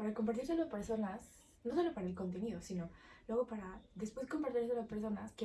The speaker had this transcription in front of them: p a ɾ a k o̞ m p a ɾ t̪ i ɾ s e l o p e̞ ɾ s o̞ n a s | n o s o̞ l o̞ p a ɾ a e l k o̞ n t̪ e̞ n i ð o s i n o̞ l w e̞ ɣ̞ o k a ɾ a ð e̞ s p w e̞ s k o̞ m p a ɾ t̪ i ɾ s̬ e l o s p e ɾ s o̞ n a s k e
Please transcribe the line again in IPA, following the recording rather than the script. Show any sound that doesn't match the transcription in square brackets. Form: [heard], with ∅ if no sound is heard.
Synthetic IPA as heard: p a ɾ a k o̞ m p a ɾ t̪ i ɾ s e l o p e̞ ɾ s o̞ n a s | n o s o̞ l o̞ p a ɾ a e l k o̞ n t̪ e̞ n i ð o s i n o̞ l w e̞ ɣ̞ o [p] a ɾ a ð e̞ s p w e̞ s k o̞ m p a ɾ t̪ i ɾ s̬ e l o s p e ɾ s o̞ n a s k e